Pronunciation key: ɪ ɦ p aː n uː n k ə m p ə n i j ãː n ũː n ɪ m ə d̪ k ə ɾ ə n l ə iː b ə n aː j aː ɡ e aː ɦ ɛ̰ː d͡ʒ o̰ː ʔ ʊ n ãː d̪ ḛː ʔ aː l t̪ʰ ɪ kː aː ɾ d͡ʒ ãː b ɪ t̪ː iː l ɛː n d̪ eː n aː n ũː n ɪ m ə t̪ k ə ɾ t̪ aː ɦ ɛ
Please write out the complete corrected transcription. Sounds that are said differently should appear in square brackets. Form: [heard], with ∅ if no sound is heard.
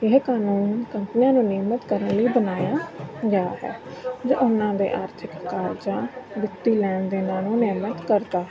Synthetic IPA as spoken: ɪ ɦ [k] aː n uː n k ə m p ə n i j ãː n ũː n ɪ m ə [t̪] k ə ɾ ə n l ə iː b ə n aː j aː ɡ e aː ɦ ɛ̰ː d͡ʒ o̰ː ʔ ʊ n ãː d̪ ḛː ʔ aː [ɾ] t̪ʰ ɪ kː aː ɾ d͡ʒ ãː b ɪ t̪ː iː l ɛː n d̪ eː n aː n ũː n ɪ m ə t̪ k ə ɾ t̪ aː ɦ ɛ